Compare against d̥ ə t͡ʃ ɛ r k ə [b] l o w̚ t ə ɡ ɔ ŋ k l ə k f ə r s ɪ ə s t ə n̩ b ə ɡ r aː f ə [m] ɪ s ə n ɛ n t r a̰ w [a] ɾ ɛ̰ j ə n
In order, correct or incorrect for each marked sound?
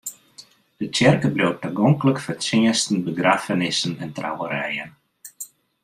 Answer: correct, incorrect: n, incorrect: ə

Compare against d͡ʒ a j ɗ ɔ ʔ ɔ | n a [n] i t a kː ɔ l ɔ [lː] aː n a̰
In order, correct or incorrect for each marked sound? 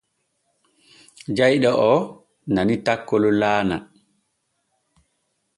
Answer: correct, incorrect: l

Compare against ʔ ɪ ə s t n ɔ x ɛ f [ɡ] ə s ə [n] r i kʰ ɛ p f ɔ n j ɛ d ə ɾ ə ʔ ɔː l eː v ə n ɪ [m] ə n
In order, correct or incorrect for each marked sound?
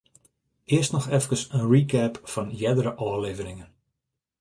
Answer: incorrect: k, correct, incorrect: ŋ

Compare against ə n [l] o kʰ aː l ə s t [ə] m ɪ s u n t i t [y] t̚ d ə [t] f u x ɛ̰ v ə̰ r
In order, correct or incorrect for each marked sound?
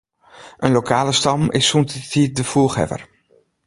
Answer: correct, incorrect: ɑ, incorrect: i, incorrect: none

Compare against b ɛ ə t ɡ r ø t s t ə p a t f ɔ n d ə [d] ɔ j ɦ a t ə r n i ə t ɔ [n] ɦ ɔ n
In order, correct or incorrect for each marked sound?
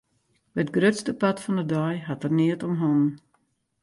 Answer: correct, incorrect: m

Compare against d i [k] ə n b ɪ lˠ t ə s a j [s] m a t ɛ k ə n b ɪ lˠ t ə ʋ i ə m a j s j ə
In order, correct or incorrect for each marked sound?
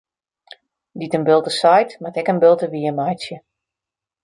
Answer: incorrect: t, incorrect: t

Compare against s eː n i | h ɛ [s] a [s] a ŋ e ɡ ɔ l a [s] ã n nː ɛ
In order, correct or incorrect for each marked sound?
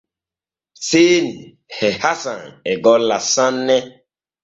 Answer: incorrect: h, correct, correct

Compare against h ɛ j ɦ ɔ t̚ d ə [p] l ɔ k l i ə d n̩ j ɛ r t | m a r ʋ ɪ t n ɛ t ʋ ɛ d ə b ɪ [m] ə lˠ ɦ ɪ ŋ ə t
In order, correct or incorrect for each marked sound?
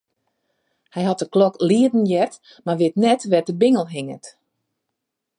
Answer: incorrect: k, incorrect: ŋ

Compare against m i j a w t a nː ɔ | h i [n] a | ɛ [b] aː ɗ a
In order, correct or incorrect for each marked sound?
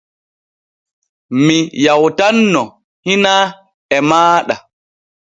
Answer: correct, incorrect: m

